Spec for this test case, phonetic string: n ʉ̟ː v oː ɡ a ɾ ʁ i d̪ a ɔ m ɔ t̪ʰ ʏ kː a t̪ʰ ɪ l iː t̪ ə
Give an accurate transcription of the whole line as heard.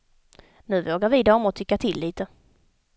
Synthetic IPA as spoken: n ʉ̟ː v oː ɡ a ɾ v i d̪ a ɔ m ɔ t̪ʰ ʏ kː a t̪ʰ ɪ lː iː t̪ ə